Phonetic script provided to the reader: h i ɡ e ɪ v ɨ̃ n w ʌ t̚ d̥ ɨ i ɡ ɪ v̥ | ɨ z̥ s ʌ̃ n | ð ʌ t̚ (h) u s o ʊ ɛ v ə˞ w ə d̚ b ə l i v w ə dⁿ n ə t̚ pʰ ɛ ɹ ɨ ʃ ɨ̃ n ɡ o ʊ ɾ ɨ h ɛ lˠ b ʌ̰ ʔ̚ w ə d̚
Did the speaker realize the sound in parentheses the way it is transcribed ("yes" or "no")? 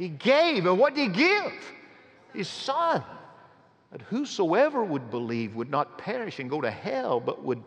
yes